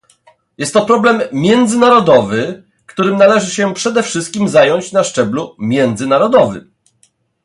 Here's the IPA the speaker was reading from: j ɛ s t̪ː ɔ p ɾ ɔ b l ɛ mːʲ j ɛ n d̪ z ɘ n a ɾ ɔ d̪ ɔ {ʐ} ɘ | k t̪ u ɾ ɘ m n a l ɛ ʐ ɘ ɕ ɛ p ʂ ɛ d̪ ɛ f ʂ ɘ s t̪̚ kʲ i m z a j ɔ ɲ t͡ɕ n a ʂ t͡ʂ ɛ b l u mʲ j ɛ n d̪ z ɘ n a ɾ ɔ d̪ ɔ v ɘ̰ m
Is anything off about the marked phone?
yes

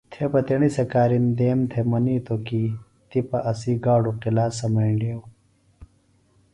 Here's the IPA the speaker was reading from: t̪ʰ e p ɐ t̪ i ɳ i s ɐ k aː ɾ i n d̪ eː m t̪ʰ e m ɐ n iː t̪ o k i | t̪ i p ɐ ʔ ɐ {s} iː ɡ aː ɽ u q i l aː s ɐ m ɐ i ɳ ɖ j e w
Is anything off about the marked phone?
no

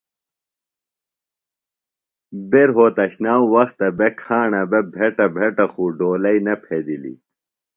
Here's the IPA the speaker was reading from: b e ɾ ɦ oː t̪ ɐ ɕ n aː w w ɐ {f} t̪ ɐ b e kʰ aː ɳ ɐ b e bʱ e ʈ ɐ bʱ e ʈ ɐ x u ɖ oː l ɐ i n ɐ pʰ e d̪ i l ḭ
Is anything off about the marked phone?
yes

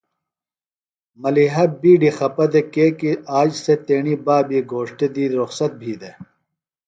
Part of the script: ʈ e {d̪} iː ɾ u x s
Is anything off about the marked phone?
no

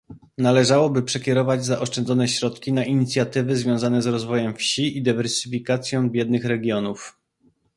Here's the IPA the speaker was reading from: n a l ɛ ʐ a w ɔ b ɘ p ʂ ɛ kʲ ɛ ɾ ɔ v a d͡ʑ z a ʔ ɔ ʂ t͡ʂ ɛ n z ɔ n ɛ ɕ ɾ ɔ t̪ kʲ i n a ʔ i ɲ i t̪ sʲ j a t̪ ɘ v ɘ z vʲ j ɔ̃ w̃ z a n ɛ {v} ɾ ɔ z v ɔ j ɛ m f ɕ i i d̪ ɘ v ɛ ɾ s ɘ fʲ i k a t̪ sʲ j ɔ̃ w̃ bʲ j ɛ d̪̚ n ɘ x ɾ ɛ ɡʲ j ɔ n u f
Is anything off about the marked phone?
yes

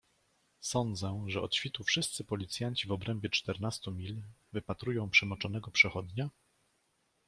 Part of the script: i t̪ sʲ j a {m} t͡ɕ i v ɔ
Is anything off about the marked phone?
yes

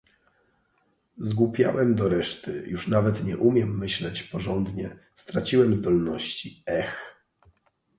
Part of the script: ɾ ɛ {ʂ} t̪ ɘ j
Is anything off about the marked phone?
no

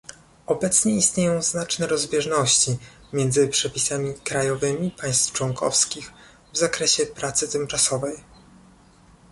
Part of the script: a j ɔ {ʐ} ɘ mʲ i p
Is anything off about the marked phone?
yes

